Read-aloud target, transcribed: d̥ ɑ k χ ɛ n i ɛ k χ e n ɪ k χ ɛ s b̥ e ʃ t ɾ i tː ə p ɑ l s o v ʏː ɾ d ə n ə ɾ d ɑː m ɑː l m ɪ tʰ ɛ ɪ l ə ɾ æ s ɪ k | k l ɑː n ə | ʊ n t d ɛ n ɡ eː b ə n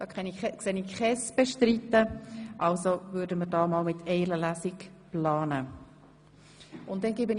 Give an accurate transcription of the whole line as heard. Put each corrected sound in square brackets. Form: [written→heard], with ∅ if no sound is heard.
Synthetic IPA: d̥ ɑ k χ ɛ n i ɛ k [χ→s] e n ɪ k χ ɛ s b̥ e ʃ t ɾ i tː ə [p→ʔ] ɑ l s o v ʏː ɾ d ə [n→m] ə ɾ d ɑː m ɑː l m ɪ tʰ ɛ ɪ l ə [ɾ→l] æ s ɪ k | [k→p] l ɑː n ə | ʊ n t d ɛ n ɡ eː b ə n